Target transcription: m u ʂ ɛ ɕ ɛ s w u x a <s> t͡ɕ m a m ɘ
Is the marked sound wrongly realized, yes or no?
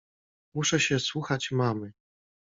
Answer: yes